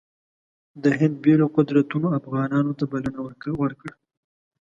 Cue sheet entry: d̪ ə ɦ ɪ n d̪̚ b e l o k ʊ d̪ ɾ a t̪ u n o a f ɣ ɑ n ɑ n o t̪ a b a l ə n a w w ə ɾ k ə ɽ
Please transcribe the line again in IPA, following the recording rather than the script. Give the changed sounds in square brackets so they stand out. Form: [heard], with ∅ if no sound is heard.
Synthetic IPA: d̪ ə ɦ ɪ n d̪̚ b e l o [q] ʊ d̪ ɾ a t̪ u n o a f ɣ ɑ n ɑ n o t̪ a b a l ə n a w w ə ɾ k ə ɽ